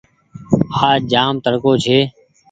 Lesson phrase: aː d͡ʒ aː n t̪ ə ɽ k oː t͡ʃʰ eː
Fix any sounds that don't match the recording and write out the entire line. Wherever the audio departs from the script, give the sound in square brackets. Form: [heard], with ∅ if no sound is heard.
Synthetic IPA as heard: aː d͡ʒ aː [m] t̪ ə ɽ k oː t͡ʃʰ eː